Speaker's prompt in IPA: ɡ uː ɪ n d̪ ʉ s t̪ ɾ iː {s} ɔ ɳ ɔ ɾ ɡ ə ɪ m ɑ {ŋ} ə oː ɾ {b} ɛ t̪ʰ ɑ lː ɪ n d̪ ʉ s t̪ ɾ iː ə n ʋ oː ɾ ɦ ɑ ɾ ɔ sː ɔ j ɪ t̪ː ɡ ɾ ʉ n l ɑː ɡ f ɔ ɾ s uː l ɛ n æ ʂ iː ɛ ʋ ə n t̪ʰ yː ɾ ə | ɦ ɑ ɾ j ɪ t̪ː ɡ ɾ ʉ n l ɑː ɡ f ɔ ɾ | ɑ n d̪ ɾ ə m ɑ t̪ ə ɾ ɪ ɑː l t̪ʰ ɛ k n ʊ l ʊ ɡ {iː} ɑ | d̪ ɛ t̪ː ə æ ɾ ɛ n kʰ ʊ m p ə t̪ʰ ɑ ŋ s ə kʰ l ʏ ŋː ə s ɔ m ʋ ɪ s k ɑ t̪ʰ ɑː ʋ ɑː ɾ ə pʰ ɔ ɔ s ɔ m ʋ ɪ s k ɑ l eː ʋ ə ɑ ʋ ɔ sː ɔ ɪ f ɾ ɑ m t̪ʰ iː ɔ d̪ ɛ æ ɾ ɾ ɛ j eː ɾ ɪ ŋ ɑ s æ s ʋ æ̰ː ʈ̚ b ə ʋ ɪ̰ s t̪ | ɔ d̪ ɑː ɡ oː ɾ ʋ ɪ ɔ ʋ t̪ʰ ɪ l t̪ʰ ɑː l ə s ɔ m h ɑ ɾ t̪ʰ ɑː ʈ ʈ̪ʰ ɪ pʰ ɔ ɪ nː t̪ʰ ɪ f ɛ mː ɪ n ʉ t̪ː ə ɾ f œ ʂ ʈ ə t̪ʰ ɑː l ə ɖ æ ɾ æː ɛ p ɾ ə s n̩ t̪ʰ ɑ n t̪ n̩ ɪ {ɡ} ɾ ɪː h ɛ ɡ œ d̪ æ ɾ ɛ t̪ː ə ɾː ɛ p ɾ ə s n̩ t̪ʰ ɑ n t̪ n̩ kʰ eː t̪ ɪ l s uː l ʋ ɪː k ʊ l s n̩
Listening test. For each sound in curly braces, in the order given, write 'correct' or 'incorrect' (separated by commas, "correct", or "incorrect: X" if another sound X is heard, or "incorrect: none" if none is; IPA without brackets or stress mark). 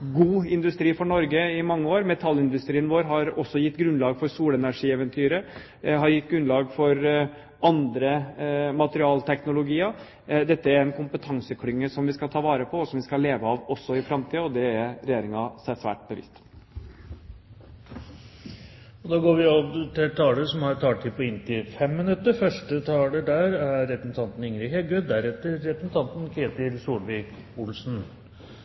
incorrect: f, incorrect: ŋː, incorrect: m, correct, incorrect: ŋ